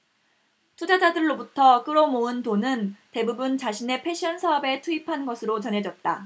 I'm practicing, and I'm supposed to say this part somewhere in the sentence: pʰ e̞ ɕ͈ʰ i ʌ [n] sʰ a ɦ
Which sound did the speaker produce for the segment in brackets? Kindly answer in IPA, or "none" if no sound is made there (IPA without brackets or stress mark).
n